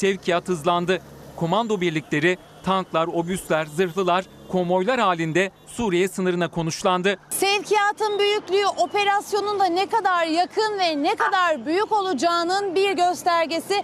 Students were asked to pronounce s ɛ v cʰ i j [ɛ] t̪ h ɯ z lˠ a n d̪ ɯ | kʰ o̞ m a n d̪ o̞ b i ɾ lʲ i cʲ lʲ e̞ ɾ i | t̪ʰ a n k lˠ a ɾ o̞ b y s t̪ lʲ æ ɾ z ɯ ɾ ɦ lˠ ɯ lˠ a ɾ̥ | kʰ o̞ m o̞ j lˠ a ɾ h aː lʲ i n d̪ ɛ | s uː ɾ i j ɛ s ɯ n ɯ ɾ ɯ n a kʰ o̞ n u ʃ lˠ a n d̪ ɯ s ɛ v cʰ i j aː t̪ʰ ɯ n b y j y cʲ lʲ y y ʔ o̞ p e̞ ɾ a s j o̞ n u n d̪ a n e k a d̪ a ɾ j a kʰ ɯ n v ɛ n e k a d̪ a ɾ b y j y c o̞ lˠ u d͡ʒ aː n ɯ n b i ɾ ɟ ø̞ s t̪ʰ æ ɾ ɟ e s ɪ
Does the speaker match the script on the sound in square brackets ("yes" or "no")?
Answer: no